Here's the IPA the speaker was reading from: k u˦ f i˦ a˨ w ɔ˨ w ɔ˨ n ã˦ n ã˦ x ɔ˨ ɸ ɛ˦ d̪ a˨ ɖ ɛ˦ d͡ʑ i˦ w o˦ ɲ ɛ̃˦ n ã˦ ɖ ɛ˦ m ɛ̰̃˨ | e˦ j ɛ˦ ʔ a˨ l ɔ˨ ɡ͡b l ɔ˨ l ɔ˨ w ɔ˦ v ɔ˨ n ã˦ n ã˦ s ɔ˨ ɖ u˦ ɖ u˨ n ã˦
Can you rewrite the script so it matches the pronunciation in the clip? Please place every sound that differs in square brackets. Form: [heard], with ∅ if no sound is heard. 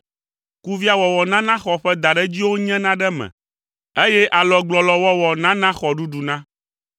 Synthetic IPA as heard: k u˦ [v] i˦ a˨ w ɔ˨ w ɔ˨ n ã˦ n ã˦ x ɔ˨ ɸ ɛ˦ d̪ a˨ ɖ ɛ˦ d͡ʑ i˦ w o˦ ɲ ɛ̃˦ n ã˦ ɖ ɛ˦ m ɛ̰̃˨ | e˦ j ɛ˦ ʔ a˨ l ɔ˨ ɡ͡b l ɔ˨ l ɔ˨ w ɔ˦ [w] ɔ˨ n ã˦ n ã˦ [x] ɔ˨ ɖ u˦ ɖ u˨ n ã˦

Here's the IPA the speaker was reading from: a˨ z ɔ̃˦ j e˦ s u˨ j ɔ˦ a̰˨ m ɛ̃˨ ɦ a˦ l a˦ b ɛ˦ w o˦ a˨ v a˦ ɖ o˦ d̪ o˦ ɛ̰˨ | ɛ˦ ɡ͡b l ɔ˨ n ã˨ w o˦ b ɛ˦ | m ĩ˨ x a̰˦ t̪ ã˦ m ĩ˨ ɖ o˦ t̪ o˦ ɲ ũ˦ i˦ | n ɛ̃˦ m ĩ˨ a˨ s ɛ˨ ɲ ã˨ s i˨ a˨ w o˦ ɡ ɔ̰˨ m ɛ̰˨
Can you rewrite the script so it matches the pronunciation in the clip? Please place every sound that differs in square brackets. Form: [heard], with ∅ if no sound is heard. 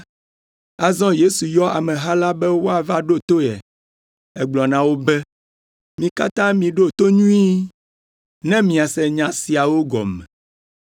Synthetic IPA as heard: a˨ z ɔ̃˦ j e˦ s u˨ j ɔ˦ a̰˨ m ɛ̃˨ ɦ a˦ l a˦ b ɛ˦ w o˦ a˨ v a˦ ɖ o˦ [t̪] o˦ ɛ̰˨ | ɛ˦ ɡ͡b l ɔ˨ n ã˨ w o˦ b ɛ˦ | m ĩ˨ [k] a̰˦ t̪ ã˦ m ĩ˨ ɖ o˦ t̪ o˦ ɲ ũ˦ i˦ | n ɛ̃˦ m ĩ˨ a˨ s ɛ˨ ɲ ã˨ s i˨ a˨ w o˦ ɡ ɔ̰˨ m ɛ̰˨

